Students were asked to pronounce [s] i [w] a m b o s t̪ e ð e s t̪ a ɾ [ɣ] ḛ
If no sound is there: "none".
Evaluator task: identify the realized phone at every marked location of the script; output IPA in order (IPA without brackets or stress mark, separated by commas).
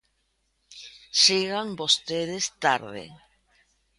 s, ɣ, ð